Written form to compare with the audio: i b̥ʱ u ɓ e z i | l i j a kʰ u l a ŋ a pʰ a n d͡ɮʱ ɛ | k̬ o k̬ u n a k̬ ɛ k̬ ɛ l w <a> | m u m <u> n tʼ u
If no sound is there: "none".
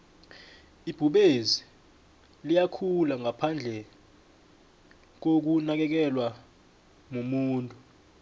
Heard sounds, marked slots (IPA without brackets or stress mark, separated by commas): a, uː